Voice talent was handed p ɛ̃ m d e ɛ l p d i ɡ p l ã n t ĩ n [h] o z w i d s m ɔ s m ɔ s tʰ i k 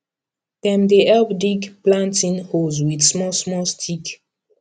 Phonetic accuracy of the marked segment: correct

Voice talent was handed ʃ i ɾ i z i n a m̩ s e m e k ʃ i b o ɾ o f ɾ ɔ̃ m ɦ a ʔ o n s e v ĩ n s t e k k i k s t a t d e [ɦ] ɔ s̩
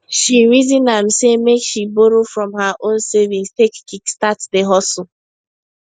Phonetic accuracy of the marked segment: correct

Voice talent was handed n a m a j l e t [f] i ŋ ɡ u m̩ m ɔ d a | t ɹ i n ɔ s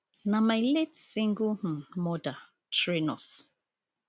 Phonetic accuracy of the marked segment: incorrect: s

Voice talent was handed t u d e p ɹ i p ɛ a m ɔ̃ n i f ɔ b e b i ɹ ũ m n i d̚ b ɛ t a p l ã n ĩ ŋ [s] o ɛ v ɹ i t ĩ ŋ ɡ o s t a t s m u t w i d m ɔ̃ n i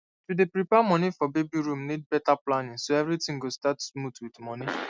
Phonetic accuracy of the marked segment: correct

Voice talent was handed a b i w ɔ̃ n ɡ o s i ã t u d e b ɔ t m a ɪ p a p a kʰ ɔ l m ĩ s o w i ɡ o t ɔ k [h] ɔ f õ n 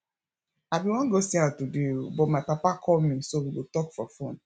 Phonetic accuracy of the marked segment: incorrect: f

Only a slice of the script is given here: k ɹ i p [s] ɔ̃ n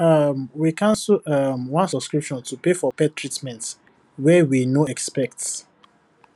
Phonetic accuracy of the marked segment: incorrect: ʃ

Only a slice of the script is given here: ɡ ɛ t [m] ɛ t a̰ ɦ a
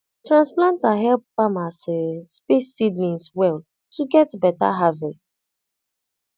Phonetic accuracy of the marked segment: incorrect: b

